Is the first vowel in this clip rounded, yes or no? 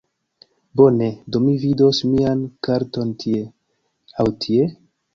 yes